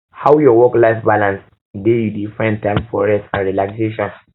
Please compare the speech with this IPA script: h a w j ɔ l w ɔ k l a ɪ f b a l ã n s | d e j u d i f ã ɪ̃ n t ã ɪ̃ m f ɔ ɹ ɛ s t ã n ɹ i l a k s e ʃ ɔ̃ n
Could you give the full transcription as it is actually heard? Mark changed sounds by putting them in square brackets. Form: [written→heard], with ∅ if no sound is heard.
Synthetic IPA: h a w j ɔ [l→∅] w ɔ k l a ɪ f b a l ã n s | d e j u d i f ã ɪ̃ n t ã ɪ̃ m f ɔ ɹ ɛ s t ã n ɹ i l a k s e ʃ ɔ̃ n